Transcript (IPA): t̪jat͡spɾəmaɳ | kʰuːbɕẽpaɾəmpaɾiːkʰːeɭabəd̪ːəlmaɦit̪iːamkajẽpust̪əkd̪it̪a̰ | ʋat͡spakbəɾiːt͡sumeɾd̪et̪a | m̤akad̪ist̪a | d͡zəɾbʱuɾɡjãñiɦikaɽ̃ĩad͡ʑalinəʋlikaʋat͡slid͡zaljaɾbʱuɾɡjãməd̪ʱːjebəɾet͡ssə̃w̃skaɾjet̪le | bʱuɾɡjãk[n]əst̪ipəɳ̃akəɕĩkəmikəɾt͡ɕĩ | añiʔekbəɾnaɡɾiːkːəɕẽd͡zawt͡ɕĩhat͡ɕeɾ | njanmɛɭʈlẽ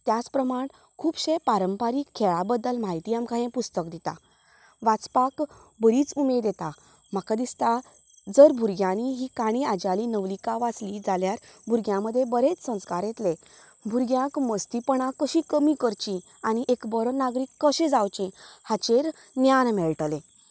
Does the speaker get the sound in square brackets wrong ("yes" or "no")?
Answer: yes